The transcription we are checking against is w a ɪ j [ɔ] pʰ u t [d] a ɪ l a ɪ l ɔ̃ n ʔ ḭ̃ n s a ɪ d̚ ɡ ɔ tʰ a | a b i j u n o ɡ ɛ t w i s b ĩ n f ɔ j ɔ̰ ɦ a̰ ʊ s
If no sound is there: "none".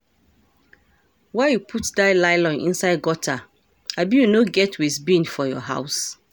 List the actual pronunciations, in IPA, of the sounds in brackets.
u, d

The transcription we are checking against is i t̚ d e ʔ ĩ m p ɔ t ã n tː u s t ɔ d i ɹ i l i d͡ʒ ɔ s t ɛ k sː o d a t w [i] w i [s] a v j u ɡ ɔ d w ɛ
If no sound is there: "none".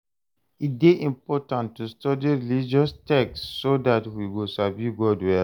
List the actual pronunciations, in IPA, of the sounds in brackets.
i, s

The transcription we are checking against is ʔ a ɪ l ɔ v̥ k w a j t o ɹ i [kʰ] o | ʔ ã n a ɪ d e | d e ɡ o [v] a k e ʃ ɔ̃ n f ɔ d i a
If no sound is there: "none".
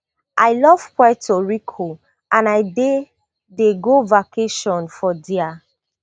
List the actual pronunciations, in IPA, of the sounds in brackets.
kʰ, v

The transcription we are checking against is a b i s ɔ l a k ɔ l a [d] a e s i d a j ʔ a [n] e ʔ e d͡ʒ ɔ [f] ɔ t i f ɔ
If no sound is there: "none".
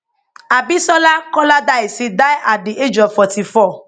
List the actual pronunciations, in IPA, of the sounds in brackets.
d, d, f

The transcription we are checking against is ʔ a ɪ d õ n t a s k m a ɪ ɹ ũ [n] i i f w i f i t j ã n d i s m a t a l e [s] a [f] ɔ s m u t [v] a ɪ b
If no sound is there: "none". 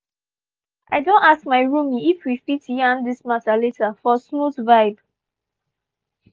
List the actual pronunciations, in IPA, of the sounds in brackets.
m, t, f, v

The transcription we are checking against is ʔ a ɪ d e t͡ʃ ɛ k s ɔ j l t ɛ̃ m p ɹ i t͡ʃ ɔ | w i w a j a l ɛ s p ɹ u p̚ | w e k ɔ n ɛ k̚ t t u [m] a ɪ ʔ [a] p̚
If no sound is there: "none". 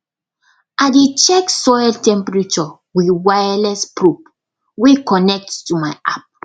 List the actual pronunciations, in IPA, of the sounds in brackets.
m, a

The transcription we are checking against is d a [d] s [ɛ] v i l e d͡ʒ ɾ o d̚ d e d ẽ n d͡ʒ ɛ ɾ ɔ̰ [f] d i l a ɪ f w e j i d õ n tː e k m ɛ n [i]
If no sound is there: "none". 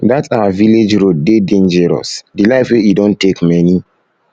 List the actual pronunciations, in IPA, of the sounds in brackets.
t, a, s, i

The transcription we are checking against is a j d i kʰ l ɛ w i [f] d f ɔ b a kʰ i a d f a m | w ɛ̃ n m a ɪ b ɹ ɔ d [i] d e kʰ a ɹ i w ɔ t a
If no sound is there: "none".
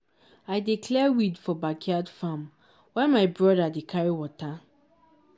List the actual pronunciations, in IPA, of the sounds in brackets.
none, a

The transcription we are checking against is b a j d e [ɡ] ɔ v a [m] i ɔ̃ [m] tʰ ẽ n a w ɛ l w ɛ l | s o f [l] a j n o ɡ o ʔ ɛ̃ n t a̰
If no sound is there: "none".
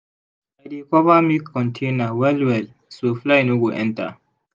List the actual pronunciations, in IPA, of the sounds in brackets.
k, m, n, l

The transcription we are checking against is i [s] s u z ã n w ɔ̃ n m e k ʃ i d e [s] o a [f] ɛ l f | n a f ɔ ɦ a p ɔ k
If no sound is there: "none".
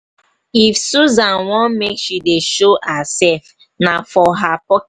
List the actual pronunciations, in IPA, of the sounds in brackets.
f, ʃ, s

